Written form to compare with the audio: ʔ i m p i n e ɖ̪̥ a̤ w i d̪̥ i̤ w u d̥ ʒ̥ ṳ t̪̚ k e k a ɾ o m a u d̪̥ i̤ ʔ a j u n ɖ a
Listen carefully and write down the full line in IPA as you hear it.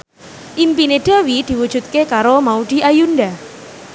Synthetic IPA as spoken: ʔ i m p i n e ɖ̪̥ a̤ w i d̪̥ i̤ w u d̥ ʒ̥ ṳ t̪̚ k e k a ɾ o m a u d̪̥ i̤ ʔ a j u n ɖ a